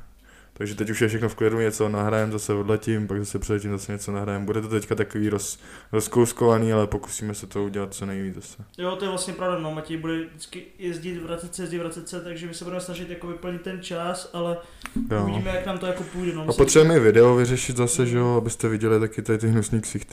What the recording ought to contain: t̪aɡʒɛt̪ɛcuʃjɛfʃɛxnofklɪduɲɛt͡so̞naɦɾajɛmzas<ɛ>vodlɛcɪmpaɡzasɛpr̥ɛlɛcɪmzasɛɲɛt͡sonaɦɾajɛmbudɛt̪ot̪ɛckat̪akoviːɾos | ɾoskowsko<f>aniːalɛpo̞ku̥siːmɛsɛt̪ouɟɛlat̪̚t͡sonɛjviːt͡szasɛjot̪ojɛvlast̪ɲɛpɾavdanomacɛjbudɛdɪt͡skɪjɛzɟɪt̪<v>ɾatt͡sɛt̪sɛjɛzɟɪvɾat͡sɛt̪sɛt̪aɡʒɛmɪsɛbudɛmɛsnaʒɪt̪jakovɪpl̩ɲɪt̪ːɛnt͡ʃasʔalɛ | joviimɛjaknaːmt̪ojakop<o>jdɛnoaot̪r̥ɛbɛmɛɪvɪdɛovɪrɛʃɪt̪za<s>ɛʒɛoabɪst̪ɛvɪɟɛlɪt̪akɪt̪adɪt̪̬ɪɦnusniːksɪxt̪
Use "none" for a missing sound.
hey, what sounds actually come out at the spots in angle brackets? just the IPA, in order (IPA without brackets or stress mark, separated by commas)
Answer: ɛ, v, v, u, s